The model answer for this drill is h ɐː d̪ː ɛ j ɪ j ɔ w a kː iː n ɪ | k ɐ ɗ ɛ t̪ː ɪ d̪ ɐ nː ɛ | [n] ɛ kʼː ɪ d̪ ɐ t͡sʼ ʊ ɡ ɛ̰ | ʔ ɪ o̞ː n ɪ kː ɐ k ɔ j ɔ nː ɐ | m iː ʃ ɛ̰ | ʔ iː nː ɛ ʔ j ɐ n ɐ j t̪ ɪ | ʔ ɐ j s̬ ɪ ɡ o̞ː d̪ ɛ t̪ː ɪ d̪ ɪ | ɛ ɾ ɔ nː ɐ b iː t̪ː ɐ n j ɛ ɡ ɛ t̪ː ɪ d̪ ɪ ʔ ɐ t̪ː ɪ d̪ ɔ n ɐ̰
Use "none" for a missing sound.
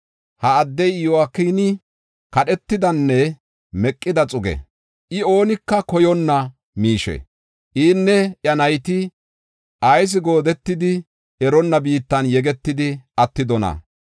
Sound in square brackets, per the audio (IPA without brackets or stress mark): m